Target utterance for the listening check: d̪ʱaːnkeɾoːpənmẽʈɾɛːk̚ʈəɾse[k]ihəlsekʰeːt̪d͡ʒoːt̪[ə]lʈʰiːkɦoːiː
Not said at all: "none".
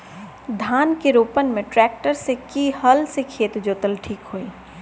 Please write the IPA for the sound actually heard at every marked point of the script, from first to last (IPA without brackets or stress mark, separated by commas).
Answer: k, ə